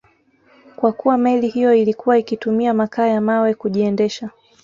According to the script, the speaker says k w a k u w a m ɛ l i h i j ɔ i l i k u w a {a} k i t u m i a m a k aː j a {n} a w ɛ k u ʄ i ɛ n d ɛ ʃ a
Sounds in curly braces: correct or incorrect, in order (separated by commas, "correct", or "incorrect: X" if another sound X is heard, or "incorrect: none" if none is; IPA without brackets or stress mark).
incorrect: i, incorrect: m